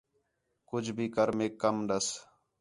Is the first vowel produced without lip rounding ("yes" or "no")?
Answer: no